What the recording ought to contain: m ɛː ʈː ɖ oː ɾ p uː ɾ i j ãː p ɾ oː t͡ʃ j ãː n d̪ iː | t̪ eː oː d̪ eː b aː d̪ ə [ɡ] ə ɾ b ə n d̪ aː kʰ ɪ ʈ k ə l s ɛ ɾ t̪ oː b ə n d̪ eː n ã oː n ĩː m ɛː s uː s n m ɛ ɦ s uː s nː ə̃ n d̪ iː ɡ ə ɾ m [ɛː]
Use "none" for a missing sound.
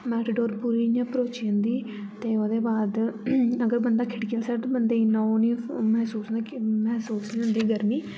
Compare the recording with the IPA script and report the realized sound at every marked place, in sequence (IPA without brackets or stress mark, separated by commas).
ɡ, iː